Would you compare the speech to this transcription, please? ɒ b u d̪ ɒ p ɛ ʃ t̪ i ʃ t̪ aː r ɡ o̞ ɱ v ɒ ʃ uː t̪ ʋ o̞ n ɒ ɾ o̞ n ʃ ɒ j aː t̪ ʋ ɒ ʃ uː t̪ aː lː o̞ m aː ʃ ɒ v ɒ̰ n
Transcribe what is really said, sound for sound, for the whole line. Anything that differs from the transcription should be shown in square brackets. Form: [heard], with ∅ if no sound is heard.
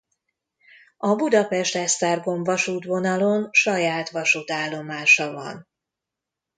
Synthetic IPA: ɒ b u d̪ ɒ p ɛ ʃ t̪ [ɛ] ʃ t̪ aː r ɡ o̞ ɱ v ɒ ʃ uː t̪ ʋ o̞ n ɒ [l] o̞ n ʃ ɒ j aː t̪ ʋ ɒ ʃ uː t̪ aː lː o̞ m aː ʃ ɒ v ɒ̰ n